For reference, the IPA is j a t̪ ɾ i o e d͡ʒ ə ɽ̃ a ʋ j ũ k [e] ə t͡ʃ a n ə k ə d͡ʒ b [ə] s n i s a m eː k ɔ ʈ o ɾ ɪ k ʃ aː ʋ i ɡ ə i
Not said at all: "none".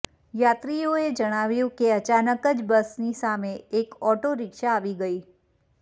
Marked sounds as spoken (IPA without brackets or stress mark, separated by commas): e, ə